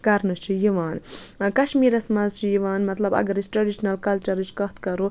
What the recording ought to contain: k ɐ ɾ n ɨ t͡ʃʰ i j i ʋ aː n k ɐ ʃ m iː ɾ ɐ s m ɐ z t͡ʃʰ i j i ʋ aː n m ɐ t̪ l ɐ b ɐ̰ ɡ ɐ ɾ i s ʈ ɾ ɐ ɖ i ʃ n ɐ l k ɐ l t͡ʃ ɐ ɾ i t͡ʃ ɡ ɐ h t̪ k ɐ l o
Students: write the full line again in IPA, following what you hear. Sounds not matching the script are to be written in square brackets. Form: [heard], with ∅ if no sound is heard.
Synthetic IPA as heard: k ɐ ɾ n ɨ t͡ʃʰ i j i ʋ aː n k ɐ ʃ m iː ɾ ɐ s m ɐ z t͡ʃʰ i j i ʋ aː n m ɐ t̪ l ɐ b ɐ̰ ɡ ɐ ɾ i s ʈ ɾ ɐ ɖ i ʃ n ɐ l k ɐ l t͡ʃ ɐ ɾ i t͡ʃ [k] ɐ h t̪ k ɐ [ɾ] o